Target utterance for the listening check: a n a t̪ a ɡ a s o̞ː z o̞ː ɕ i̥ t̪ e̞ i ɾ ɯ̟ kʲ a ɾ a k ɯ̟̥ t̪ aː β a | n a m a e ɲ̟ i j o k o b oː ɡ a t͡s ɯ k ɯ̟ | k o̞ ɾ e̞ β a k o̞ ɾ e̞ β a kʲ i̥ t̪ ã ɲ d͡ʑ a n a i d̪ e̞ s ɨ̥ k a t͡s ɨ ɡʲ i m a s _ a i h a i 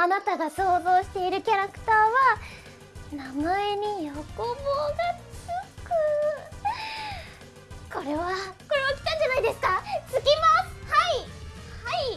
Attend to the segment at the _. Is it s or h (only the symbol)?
h